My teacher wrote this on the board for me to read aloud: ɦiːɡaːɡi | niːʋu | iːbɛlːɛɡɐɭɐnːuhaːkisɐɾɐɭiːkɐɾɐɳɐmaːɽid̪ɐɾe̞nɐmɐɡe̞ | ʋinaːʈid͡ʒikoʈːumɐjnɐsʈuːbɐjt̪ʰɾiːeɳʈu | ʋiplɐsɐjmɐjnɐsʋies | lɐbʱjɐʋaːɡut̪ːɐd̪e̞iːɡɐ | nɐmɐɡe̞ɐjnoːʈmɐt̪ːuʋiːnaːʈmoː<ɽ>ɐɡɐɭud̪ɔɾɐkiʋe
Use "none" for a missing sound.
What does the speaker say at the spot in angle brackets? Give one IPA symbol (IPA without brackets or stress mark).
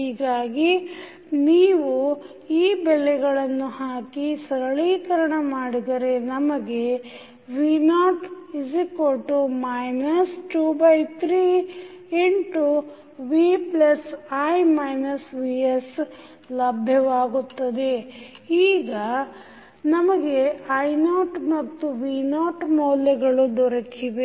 l